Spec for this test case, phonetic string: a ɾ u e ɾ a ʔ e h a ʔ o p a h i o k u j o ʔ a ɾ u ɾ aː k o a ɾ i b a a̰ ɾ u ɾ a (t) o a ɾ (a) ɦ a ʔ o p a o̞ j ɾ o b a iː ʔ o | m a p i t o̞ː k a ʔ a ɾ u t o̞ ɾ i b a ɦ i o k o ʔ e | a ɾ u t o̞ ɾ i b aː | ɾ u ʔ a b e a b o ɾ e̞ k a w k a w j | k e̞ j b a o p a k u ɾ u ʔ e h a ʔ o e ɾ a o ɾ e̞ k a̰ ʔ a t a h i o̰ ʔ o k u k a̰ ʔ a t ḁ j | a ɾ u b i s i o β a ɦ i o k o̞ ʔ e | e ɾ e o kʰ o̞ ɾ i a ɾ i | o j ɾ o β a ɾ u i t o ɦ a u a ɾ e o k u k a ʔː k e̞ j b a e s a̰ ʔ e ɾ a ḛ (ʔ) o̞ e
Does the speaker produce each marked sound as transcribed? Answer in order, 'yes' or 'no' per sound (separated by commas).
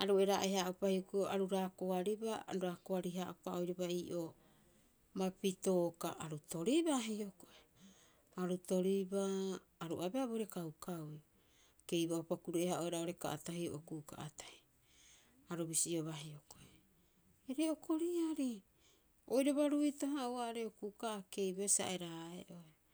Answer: no, no, yes